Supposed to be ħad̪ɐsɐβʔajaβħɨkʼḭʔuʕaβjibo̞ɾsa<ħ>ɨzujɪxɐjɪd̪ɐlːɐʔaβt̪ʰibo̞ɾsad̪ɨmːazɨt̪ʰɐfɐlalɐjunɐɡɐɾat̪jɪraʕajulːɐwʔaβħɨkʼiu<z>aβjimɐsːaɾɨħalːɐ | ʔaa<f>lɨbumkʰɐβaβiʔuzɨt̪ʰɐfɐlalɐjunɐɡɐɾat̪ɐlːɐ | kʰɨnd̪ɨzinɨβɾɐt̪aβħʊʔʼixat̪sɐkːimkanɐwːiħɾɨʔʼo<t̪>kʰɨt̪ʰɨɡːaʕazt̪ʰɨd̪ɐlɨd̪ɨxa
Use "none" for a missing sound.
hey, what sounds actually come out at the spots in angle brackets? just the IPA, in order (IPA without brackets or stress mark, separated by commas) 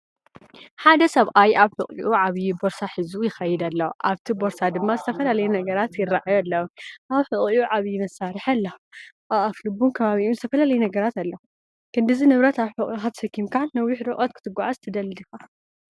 ħ, ʕ, f, t̪